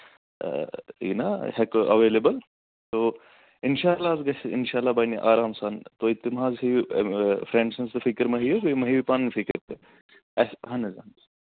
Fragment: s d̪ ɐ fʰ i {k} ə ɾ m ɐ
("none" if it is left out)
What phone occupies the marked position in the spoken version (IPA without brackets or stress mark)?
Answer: k